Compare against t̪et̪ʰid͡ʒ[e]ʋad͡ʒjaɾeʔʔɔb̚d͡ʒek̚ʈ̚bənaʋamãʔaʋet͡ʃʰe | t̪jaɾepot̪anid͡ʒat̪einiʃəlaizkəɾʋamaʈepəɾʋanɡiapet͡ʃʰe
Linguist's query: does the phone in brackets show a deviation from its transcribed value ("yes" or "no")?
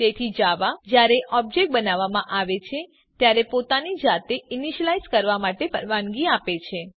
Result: yes